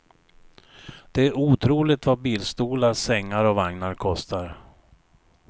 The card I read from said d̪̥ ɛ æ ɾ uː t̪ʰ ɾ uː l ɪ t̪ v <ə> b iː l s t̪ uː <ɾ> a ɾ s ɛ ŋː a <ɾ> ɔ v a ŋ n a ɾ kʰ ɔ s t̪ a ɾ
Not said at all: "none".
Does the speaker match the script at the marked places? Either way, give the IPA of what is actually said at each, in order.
a, l, ɾ

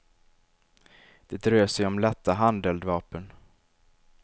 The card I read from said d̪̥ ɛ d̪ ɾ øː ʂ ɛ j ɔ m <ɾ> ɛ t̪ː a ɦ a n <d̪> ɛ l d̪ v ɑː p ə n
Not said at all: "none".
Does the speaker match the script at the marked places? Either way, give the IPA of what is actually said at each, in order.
l, d̪

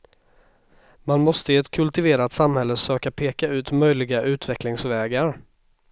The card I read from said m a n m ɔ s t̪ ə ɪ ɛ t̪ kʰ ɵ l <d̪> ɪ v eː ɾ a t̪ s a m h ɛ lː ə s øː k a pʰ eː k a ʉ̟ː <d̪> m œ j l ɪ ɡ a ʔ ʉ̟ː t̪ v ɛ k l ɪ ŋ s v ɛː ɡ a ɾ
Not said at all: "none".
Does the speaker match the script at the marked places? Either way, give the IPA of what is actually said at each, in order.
t̪, t̪

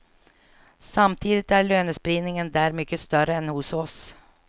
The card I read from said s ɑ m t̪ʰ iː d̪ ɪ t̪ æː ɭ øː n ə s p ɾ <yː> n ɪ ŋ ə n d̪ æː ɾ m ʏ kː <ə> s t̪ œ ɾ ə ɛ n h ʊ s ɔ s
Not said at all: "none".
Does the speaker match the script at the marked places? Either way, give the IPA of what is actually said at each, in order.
iː, ə

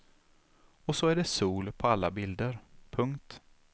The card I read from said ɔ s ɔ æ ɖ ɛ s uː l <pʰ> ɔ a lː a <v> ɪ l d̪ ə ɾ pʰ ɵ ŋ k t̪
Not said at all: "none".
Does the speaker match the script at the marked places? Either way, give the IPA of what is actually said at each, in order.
pʰ, b

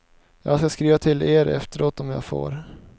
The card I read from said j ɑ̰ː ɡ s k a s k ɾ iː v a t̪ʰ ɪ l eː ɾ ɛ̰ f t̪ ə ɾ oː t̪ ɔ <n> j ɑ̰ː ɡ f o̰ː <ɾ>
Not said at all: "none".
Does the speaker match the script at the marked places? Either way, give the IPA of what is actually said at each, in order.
m, ɾ

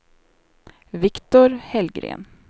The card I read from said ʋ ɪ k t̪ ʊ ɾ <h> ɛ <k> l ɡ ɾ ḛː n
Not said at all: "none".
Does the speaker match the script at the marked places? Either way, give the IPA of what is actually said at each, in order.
h, none

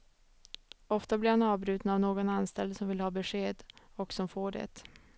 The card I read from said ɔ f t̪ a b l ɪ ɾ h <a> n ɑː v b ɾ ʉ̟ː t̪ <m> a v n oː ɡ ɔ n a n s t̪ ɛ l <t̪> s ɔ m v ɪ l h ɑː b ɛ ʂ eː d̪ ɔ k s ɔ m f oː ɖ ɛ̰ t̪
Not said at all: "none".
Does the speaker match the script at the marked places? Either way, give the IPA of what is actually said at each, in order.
a, n, d̪

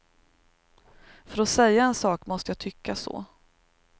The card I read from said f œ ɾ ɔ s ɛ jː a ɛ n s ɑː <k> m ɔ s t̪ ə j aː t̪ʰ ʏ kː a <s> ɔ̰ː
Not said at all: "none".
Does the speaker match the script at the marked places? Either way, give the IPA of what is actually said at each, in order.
k, s

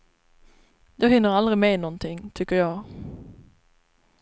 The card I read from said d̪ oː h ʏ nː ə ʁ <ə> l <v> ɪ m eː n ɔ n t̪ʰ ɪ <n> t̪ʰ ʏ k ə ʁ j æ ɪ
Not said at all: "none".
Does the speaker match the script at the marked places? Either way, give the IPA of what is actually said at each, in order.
ɑ, ʁ, ŋ

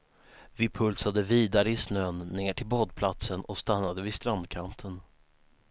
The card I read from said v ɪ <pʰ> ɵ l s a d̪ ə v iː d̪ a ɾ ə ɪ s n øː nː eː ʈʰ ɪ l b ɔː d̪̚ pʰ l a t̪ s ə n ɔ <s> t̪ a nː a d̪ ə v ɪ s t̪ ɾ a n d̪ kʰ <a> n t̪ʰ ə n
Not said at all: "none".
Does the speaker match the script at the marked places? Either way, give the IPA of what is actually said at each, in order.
pʰ, s, a

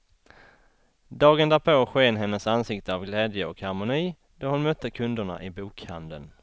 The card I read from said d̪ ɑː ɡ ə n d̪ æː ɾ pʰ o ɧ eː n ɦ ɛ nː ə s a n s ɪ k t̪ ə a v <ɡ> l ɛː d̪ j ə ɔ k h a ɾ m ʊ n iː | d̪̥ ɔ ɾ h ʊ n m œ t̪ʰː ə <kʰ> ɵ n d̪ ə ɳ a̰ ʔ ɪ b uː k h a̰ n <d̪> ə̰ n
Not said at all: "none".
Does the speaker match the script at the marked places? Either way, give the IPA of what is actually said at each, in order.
ɡ, kʰ, d̪

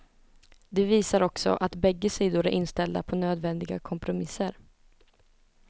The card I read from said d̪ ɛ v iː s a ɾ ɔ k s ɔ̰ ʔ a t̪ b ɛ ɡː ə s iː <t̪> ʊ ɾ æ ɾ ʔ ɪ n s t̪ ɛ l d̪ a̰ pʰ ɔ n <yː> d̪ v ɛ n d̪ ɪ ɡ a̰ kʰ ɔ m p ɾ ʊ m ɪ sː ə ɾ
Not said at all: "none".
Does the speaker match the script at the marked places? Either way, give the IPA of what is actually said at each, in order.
d̪, øː

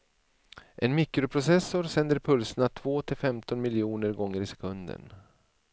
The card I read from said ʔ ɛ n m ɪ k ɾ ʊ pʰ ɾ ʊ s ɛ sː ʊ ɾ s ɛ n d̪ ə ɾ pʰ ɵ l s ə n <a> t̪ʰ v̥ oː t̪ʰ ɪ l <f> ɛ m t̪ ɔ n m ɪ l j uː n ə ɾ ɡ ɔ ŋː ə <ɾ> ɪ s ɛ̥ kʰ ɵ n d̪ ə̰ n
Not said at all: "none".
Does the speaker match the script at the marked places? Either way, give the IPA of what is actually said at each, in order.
a, f, ɾ

